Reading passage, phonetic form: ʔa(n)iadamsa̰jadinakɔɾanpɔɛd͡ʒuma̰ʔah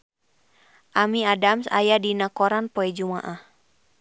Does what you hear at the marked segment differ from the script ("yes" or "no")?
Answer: yes